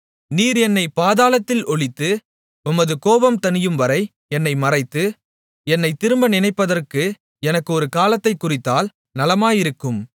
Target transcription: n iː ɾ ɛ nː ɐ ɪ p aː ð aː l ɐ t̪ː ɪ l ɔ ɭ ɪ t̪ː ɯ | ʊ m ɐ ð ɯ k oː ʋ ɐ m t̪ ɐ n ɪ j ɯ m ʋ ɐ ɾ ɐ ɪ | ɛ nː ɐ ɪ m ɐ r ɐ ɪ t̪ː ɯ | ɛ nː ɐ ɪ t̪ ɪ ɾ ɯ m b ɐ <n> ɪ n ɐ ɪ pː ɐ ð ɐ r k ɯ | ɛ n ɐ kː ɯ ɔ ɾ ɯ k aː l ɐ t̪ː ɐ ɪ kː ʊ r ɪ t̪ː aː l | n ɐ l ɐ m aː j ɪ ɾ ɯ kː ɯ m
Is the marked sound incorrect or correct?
correct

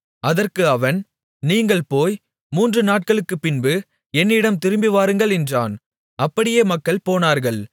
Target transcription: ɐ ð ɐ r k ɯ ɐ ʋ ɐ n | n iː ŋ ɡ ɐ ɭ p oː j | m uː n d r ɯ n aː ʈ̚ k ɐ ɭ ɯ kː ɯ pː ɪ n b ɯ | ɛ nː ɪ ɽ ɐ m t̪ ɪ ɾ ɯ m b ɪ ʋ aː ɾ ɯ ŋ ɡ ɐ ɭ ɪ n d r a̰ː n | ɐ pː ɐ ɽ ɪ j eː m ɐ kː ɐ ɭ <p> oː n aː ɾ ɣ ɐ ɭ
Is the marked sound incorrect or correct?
correct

